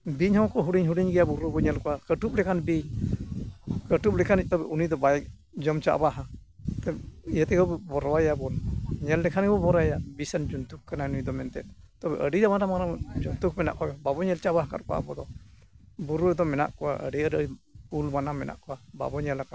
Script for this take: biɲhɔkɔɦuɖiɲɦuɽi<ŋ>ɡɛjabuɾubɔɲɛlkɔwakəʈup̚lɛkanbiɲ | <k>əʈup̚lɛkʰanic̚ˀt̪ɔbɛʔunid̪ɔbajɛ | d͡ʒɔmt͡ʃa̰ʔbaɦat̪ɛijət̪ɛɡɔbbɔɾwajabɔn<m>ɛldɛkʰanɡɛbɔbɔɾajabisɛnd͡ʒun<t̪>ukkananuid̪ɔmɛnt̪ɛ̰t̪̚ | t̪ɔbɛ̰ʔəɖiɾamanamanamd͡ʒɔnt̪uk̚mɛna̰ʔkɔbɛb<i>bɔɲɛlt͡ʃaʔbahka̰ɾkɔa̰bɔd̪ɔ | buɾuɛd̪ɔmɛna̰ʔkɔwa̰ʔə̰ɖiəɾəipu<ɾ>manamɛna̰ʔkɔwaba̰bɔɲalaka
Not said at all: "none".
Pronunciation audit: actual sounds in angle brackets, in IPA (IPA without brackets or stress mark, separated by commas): ɲ, k, ɲ, t̪, a, l